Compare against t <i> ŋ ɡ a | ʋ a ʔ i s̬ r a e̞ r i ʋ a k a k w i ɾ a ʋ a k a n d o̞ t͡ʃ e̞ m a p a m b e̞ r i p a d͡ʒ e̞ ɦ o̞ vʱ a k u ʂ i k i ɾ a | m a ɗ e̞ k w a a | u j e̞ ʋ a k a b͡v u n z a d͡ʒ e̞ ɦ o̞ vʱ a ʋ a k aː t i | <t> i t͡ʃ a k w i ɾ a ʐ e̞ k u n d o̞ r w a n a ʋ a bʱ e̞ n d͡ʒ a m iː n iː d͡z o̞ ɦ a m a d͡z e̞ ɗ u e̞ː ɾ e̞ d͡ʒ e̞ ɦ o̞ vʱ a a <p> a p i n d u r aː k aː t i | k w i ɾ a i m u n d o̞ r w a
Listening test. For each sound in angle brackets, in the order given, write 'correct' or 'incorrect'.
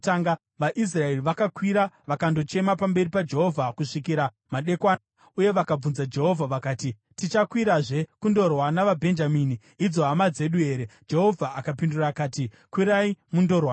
incorrect, correct, incorrect

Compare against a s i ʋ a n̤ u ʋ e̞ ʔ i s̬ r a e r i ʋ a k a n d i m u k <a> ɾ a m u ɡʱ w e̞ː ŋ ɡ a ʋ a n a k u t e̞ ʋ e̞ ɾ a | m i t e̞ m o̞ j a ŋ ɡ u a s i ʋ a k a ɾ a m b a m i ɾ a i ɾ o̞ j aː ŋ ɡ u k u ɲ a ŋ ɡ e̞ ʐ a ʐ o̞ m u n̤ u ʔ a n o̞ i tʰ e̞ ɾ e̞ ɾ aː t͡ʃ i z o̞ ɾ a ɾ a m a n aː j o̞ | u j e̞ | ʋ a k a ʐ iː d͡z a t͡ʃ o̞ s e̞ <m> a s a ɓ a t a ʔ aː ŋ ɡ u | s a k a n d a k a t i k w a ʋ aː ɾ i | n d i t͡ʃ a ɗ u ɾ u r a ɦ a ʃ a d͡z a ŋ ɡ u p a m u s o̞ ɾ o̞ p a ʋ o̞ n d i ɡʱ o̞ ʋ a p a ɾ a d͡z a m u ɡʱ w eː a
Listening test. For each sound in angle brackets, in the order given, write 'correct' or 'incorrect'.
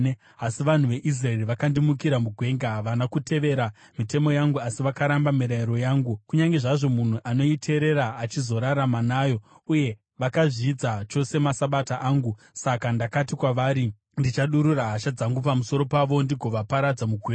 incorrect, correct

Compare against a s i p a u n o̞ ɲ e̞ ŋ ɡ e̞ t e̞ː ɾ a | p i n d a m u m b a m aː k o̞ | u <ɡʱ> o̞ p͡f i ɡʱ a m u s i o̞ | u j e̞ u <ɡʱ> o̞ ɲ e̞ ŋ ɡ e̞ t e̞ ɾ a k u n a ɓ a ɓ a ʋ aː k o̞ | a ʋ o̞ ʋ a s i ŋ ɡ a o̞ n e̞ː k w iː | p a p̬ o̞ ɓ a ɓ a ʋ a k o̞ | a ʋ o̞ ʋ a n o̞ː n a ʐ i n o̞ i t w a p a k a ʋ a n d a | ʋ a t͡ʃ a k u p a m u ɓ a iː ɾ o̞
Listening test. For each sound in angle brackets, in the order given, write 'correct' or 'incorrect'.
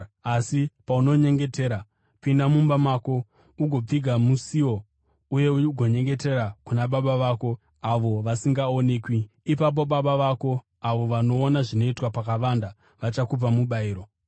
correct, correct

